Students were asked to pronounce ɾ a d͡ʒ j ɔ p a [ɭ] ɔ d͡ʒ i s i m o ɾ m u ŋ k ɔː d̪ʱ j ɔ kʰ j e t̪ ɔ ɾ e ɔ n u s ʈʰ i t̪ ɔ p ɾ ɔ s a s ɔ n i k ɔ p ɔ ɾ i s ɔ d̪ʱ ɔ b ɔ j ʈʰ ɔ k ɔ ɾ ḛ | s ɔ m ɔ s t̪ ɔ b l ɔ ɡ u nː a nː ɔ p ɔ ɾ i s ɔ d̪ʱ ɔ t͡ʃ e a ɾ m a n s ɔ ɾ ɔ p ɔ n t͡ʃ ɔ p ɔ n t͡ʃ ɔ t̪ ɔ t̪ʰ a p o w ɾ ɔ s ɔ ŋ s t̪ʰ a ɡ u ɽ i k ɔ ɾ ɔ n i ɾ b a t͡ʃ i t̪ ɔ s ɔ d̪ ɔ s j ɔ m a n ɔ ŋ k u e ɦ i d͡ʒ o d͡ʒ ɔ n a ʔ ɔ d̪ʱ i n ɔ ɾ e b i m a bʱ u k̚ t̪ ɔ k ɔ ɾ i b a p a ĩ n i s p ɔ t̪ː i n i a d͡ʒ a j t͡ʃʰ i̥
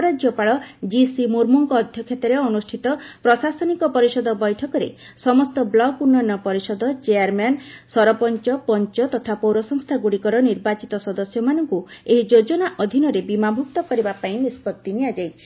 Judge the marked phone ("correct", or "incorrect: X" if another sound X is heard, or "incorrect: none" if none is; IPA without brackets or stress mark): correct